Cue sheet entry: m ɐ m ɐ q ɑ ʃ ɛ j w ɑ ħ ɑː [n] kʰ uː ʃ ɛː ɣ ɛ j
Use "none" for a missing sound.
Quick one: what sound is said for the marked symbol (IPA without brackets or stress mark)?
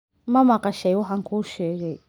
ŋ